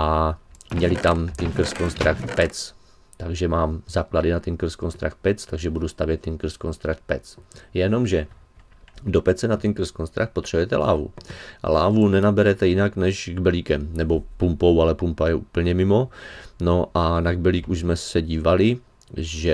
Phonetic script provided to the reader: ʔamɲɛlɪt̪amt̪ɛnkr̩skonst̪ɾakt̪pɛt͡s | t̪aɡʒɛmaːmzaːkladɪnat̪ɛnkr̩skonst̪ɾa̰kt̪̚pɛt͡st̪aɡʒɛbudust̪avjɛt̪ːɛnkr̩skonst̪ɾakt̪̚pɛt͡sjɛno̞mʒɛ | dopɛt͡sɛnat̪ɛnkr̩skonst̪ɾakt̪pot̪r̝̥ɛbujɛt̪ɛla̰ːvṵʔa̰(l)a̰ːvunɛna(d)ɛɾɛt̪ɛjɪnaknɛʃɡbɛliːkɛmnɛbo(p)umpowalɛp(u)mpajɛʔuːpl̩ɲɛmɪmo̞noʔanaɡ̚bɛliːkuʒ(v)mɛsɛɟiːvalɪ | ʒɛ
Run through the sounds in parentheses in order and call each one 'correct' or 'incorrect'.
correct, incorrect, correct, correct, incorrect

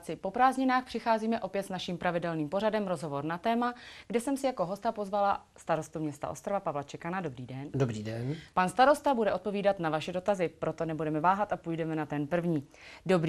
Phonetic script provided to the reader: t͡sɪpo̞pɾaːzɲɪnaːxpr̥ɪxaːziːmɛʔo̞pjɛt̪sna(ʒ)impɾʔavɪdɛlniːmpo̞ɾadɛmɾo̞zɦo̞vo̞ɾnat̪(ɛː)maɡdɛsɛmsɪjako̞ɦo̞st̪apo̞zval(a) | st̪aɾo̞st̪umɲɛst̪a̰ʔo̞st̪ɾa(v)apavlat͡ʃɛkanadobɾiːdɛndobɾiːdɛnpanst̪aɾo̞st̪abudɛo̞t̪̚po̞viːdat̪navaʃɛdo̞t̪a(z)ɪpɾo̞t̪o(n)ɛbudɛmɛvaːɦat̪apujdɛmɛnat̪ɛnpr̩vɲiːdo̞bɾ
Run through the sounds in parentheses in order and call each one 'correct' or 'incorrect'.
incorrect, correct, correct, correct, correct, correct

